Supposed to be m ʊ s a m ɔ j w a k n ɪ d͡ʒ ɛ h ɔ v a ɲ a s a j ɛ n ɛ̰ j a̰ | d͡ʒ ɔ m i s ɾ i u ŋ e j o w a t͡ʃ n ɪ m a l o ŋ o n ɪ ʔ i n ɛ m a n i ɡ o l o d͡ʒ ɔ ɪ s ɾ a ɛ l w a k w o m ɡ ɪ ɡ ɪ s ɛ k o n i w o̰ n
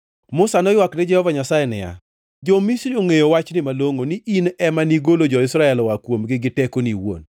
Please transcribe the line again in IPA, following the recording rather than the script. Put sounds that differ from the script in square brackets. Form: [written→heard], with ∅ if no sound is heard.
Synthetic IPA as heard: m ʊ s a [m→n] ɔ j w a k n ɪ d͡ʒ ɛ h ɔ v a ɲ a s a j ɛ n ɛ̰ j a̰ | d͡ʒ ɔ m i s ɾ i [u→o] ŋ e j o w a t͡ʃ n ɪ m a l o ŋ o n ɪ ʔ i n ɛ m a n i ɡ o l o d͡ʒ ɔ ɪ s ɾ a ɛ l w a k w o m ɡ ɪ ɡ ɪ [s→t] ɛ k o n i w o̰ n